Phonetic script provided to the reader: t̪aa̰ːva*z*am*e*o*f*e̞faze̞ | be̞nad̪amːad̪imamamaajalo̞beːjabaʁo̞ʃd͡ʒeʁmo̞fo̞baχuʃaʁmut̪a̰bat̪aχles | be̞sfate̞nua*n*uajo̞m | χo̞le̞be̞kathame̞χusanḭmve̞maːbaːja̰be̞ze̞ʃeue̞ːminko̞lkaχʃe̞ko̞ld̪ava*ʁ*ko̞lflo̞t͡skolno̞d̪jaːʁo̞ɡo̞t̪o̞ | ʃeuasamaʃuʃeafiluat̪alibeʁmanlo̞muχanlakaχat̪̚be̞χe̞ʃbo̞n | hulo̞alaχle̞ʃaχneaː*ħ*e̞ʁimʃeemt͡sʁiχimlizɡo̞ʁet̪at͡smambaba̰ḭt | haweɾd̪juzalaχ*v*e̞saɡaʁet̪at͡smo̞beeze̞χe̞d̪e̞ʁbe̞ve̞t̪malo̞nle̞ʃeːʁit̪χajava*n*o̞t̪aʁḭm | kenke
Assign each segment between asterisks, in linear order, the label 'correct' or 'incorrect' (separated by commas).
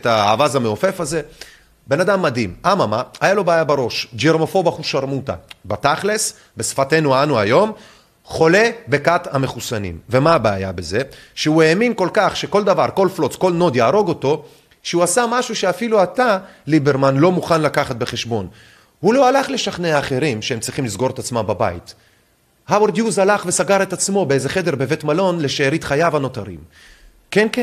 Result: correct, correct, correct, correct, correct, incorrect, correct, correct